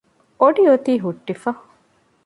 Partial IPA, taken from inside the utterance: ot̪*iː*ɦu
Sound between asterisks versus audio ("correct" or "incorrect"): correct